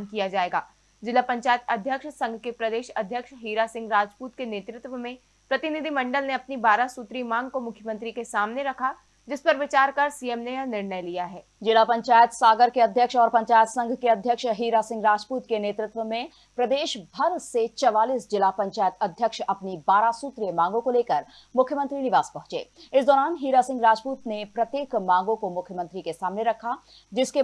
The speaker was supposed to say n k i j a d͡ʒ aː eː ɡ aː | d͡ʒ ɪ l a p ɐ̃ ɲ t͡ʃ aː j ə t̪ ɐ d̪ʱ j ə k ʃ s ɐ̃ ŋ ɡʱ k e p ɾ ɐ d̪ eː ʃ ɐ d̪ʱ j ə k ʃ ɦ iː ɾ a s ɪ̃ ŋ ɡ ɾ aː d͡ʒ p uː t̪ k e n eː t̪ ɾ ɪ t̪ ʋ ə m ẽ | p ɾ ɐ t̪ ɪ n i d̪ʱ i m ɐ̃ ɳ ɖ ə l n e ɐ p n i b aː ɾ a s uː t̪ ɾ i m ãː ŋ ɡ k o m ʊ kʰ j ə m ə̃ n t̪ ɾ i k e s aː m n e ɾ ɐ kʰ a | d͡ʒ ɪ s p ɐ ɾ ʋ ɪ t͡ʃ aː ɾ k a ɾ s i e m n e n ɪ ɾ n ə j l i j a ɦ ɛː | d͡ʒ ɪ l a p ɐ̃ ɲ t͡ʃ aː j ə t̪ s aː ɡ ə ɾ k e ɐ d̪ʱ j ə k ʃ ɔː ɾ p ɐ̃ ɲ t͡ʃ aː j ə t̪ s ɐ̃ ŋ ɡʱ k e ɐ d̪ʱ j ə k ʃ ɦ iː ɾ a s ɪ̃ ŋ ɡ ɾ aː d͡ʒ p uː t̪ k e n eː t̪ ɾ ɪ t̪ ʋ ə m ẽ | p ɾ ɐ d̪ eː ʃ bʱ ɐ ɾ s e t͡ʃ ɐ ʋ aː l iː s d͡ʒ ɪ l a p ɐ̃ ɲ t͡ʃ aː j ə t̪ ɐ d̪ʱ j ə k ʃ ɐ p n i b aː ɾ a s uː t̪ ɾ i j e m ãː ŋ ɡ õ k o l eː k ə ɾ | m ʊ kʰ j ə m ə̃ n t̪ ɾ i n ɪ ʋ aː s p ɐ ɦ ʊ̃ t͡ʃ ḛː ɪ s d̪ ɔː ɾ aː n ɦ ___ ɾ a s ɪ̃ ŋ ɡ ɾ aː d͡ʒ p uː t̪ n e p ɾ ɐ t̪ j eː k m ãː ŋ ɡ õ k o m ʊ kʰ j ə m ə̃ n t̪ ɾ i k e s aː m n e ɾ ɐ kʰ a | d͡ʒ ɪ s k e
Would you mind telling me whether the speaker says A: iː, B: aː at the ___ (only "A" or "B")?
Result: A